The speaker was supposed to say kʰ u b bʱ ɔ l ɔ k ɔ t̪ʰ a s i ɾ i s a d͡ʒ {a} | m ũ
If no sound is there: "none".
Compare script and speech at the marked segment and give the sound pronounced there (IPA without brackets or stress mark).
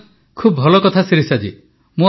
i